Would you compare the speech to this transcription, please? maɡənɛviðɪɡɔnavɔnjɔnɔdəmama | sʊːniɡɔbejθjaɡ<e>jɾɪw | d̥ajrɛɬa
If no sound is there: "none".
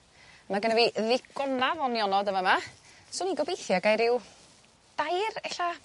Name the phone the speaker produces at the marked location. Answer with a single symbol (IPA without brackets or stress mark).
a